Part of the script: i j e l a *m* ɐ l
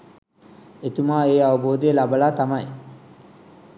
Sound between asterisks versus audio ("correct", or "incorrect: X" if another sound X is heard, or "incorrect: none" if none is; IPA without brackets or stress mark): incorrect: b